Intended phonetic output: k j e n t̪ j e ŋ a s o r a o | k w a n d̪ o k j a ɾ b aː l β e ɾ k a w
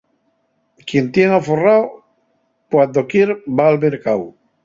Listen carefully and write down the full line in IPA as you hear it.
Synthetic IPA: k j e n t̪ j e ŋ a f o r a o | k w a n d̪ o k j e ɾ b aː l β e ɾ k a w